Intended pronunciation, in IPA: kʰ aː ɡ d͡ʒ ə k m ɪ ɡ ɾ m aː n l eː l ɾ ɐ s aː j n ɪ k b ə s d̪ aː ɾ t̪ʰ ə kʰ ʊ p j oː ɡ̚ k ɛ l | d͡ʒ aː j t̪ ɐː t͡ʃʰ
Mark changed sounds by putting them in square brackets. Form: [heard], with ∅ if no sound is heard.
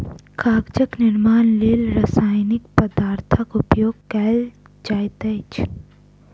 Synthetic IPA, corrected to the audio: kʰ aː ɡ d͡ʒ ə k [n] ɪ [∅] ɾ m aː n l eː l ɾ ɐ s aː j n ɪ k [p] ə [∅] d̪ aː ɾ t̪ʰ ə [k] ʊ p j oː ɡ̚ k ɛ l | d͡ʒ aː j t̪ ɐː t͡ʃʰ